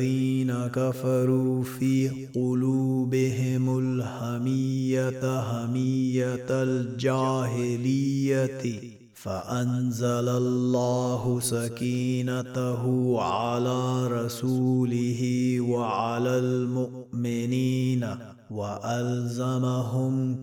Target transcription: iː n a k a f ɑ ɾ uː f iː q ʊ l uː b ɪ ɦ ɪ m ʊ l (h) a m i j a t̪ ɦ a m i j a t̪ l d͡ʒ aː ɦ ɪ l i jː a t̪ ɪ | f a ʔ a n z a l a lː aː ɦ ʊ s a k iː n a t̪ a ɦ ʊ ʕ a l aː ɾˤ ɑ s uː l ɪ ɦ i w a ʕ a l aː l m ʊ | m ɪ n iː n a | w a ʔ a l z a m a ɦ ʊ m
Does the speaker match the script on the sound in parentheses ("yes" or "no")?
yes